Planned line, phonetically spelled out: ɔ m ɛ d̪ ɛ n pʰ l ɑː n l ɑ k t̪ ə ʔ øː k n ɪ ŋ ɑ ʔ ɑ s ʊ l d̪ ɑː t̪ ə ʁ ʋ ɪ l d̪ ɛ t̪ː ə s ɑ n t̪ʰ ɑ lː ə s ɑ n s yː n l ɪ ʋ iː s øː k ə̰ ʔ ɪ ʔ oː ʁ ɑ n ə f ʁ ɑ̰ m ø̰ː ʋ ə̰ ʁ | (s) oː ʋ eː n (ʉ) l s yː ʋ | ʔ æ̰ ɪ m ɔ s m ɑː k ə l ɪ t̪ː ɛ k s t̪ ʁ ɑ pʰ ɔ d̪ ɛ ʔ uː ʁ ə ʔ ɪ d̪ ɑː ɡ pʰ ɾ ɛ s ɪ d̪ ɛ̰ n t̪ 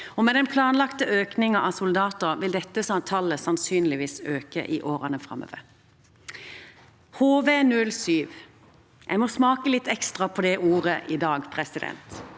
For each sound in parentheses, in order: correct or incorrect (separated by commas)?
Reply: incorrect, correct